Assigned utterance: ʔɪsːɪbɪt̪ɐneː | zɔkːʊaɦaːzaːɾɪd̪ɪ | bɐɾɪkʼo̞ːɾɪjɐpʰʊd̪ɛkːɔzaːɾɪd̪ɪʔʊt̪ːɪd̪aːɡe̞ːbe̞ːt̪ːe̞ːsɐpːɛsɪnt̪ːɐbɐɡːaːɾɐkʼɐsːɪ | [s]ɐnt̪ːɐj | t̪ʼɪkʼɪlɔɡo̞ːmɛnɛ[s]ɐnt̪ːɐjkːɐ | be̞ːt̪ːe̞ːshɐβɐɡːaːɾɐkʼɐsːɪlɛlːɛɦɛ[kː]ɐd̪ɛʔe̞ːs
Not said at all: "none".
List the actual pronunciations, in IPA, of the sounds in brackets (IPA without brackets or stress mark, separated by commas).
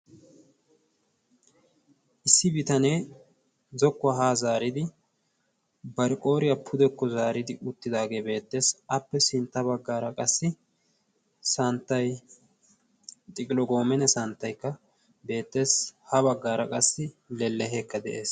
s, s, kː